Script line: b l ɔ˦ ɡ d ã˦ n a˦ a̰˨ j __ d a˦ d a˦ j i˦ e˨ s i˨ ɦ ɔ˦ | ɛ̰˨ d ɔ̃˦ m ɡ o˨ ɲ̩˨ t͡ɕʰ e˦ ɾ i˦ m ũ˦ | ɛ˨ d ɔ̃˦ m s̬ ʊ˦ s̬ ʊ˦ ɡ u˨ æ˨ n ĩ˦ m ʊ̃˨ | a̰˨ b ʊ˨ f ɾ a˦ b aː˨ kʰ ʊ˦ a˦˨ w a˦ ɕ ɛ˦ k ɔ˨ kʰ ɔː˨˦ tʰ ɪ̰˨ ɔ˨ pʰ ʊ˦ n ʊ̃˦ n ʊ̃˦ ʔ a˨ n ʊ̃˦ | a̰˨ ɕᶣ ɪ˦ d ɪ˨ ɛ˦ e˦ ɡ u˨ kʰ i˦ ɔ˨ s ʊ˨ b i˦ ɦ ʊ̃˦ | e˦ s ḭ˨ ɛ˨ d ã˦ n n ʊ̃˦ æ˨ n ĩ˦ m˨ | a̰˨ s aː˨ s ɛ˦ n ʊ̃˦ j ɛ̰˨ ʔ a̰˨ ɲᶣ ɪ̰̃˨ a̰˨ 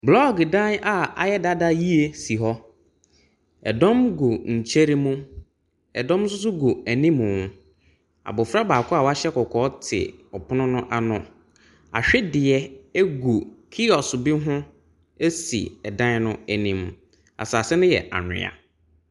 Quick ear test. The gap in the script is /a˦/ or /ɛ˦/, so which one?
ɛ˦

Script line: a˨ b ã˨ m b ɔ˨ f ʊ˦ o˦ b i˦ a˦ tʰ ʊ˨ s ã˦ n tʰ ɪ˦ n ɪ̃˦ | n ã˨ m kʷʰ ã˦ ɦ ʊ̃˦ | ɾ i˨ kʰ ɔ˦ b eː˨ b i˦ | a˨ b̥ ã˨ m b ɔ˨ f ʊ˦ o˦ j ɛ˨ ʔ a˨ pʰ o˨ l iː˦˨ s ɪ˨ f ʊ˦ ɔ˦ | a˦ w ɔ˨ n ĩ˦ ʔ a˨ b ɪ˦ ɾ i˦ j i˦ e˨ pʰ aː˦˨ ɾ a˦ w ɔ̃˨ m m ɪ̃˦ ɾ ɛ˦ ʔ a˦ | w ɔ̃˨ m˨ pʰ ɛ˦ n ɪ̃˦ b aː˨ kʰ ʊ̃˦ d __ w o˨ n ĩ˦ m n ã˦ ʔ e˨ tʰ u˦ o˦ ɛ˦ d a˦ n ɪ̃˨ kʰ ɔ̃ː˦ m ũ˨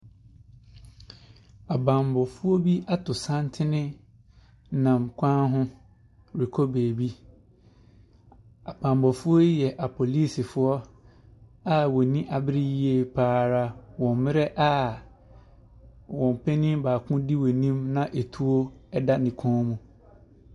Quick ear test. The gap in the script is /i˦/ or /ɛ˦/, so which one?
i˦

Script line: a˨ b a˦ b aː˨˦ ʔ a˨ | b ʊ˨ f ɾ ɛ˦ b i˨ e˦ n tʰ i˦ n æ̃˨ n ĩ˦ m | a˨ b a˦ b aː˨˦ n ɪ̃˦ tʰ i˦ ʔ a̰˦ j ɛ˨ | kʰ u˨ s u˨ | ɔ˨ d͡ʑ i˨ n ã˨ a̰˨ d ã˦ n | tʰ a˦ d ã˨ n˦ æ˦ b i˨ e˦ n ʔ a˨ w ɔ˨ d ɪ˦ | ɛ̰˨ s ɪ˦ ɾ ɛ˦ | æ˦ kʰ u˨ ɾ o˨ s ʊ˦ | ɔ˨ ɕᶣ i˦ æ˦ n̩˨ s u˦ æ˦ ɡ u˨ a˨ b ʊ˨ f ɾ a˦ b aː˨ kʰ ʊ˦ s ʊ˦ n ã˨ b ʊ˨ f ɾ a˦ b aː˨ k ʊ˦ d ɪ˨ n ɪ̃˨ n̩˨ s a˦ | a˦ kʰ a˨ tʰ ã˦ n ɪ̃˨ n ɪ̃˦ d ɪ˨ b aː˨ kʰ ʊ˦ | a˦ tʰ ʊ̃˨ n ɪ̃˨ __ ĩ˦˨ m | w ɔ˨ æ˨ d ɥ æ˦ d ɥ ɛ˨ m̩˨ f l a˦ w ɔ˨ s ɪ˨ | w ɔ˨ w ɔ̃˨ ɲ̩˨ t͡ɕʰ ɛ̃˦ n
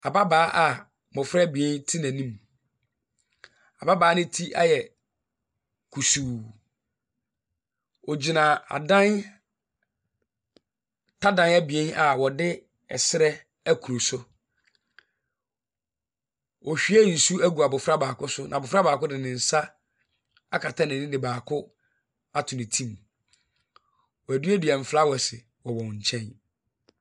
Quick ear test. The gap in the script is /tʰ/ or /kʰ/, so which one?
tʰ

